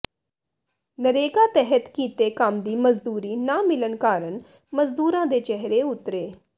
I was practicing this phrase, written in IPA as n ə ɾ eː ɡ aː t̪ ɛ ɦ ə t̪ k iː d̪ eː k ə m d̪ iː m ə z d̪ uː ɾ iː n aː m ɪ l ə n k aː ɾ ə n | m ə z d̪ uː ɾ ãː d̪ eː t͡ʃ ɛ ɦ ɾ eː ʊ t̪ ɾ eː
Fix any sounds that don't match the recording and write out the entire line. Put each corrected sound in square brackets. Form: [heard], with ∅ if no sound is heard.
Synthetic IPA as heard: n ə ɾ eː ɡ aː t̪ ɛ ɦ ə t̪ k iː [t̪] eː k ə m d̪ iː m ə z d̪ uː ɾ iː n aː m ɪ l ə n k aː ɾ ə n | m ə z d̪ uː ɾ ãː d̪ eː t͡ʃ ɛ ɦ ɾ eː ʊ t̪ ɾ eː